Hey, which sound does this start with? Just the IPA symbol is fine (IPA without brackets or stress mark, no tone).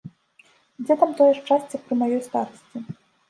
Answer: d͡zʲ